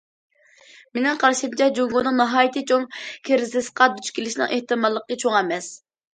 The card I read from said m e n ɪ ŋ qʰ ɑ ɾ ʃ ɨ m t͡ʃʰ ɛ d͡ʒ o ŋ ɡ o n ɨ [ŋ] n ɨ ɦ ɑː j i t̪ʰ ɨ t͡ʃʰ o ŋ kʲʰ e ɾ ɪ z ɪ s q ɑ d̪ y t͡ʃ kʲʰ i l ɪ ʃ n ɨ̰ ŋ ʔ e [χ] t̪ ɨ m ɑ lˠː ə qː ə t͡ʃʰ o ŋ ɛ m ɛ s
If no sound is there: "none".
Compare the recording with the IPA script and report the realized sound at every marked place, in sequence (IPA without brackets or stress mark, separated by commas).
ŋ, h